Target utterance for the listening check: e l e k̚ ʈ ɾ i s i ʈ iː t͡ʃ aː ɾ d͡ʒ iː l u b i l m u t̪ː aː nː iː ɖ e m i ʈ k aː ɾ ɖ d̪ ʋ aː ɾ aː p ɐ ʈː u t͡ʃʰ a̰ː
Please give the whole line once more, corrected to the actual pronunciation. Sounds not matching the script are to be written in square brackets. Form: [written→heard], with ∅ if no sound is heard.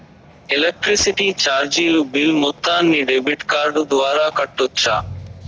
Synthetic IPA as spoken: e l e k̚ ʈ ɾ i s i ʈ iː t͡ʃ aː ɾ d͡ʒ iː l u b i l m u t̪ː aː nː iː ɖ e [m→b] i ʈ k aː ɾ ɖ d̪ ʋ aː ɾ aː [p→k] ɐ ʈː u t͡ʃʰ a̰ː